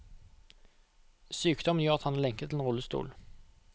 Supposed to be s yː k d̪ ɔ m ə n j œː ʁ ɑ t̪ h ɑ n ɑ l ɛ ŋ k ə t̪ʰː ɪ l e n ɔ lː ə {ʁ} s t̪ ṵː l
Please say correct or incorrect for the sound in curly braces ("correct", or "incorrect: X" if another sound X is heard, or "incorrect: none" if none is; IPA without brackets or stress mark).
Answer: incorrect: none